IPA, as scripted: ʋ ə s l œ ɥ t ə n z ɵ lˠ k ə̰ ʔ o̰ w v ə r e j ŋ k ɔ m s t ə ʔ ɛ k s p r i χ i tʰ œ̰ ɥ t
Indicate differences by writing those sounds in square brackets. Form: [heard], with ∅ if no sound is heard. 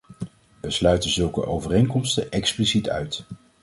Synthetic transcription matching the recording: ʋ ə s l œ ɥ t ə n z ɵ lˠ k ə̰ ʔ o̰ w v ə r e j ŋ k ɔ m s t ə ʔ ɛ k s p [l] i [s] i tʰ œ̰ ɥ t